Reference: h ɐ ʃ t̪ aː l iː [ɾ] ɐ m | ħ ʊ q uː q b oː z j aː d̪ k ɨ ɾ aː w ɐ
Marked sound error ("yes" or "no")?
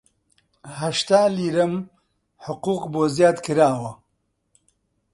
no